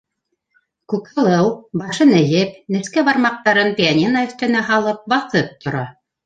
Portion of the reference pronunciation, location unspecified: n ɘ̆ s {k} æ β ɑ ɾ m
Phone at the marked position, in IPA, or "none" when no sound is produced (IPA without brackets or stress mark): k